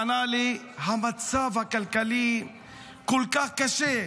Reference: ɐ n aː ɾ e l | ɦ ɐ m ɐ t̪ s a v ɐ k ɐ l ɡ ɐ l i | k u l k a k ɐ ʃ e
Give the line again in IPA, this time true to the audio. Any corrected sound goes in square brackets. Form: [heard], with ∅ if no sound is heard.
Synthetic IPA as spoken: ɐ n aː [l] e [∅] | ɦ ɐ m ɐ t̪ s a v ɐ k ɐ l [k] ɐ l i | k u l k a k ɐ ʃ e